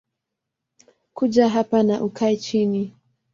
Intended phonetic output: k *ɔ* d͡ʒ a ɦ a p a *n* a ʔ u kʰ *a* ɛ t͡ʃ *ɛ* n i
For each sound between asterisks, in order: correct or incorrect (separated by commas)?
incorrect, correct, correct, incorrect